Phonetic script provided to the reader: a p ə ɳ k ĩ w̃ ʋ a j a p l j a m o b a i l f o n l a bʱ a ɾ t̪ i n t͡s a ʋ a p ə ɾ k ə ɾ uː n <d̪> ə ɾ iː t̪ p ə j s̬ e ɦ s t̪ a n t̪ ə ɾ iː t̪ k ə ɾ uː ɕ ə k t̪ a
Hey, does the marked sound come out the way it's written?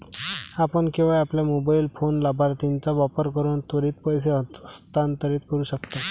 no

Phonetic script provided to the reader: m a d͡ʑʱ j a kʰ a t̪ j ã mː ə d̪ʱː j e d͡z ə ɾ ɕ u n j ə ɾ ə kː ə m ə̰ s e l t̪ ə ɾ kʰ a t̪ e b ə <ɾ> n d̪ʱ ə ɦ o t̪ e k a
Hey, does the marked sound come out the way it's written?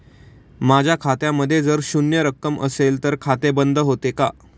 no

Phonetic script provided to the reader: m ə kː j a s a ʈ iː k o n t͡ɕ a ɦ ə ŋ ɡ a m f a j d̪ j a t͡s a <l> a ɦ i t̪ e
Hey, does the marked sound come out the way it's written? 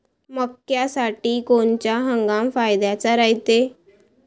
no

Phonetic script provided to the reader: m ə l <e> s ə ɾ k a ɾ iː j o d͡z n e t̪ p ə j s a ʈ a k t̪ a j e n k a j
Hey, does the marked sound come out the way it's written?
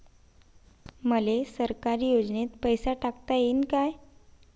yes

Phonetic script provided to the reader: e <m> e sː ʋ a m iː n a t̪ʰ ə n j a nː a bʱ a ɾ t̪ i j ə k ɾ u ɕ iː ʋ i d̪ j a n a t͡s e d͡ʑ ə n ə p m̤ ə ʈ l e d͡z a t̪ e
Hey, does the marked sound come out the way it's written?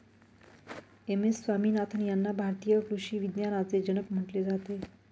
yes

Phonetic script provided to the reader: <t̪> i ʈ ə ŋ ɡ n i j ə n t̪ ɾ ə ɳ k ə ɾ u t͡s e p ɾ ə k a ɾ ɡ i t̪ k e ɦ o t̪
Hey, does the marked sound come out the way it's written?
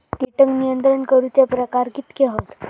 yes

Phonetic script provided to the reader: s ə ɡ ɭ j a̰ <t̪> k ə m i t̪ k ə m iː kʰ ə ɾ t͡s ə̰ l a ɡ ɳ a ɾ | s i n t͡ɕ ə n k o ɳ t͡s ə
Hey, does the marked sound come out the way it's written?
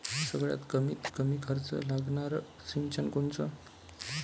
yes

